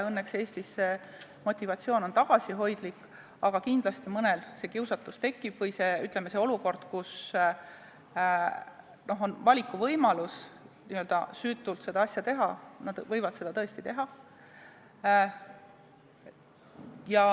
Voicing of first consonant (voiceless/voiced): voiced